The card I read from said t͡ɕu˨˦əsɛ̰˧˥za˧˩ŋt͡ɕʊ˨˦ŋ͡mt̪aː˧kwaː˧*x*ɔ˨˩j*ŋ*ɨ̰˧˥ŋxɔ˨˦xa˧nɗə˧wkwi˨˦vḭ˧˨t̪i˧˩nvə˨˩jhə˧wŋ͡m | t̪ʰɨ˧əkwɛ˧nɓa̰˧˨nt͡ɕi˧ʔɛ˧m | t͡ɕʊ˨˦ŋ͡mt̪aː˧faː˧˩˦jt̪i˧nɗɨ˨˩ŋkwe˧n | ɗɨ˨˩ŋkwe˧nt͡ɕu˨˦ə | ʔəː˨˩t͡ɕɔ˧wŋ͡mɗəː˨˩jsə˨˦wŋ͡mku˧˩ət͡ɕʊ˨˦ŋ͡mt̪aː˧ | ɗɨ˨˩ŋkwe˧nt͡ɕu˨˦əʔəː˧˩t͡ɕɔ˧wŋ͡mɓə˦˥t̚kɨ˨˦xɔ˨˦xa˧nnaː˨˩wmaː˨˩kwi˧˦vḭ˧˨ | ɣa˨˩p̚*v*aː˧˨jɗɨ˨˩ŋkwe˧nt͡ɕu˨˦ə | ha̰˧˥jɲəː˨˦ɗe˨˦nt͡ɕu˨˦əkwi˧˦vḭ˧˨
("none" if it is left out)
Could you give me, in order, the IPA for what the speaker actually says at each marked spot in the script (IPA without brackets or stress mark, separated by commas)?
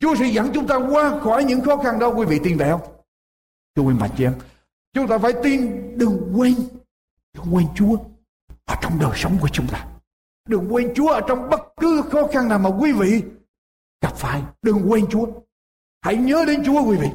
x, ɲ, f